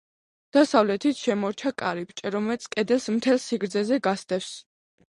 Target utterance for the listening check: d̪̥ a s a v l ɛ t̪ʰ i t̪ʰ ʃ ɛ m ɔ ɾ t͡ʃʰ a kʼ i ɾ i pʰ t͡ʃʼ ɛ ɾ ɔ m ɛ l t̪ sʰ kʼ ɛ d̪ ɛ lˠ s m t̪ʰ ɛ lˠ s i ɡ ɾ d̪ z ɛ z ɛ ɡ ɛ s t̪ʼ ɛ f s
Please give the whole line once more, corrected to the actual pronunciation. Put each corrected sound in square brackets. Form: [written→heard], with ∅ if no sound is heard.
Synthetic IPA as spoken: d̪̥ a s a v l ɛ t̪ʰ i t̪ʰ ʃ ɛ m ɔ ɾ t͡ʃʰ a kʼ [i→a] ɾ i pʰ t͡ʃʼ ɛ ɾ ɔ m ɛ l t̪ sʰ kʼ ɛ d̪ ɛ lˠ s m t̪ʰ ɛ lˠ s i ɡ ɾ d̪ z ɛ z ɛ ɡ [ɛ→a] s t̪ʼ ɛ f s